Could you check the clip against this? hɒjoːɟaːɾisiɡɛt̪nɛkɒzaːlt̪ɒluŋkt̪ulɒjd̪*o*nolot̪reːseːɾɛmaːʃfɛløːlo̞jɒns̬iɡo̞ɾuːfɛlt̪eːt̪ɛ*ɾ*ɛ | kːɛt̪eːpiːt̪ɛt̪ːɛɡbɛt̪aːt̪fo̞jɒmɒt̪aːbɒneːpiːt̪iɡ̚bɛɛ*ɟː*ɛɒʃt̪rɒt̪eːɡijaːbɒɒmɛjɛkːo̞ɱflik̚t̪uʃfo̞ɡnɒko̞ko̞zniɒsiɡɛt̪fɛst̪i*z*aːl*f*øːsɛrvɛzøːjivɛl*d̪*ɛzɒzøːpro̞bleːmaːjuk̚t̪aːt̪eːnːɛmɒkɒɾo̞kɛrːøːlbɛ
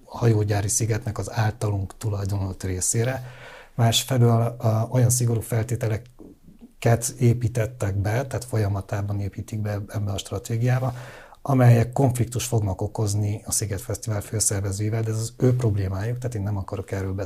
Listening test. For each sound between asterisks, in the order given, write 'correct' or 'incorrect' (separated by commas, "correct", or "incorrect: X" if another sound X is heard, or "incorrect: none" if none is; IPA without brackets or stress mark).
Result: correct, incorrect: l, incorrect: bː, incorrect: v, correct, correct